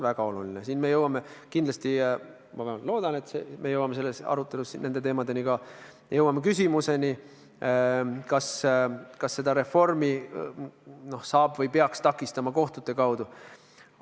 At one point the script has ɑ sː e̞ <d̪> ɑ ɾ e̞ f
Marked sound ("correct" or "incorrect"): correct